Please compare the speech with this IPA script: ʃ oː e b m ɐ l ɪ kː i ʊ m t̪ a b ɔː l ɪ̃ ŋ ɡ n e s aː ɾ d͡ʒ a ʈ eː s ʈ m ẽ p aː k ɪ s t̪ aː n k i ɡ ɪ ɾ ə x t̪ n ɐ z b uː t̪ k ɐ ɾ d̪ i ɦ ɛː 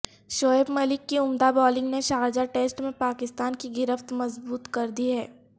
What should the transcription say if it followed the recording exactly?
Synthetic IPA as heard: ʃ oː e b m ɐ l ɪ kː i ʊ m d̪ a b ɔː l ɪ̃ ŋ ɡ n e ʃ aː ɾ d͡ʒ a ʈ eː s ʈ m ẽ p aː k ɪ s t̪ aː n k i ɡ ɪ ɾ ə f t̪ m ɐ z b uː t̪ k ɐ ɾ d̪ i ɦ ɛː